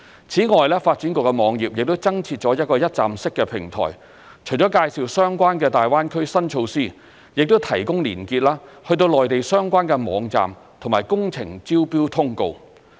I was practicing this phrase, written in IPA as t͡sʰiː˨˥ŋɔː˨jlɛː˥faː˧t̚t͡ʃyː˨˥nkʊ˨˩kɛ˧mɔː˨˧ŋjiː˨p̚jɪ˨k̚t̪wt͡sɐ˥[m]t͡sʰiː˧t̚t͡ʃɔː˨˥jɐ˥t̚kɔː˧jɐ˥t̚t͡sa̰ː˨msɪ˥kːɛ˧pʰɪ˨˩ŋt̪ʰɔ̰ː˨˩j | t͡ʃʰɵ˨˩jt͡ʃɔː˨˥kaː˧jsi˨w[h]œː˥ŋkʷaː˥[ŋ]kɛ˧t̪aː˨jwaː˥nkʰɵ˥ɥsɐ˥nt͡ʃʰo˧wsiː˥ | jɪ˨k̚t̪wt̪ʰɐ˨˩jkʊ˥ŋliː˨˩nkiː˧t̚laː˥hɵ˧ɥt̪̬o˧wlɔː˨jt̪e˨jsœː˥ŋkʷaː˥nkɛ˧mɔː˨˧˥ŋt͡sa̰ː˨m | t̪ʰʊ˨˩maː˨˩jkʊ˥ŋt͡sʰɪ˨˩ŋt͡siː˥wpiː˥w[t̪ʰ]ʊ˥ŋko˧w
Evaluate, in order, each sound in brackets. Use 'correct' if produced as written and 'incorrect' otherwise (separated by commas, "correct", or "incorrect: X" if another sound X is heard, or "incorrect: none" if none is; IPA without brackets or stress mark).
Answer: incorrect: ŋ, incorrect: s, incorrect: n, correct